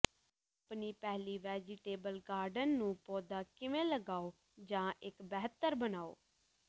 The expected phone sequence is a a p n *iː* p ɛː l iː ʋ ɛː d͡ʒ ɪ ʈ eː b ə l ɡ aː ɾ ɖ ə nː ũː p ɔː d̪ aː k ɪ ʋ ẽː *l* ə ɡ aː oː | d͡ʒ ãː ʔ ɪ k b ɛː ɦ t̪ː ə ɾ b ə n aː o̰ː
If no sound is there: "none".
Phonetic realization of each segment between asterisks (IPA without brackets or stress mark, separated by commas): iː, l